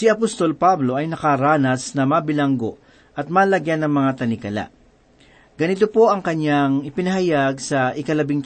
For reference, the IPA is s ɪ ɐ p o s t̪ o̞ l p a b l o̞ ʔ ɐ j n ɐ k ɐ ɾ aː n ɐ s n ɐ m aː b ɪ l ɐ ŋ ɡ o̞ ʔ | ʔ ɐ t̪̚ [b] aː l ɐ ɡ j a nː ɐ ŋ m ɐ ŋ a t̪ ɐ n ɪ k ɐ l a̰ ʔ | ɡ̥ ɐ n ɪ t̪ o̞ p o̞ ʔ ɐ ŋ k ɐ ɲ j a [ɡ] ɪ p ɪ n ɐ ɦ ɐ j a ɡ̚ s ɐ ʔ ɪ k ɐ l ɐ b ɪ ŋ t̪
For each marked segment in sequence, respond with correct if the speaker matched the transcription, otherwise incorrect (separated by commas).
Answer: incorrect, incorrect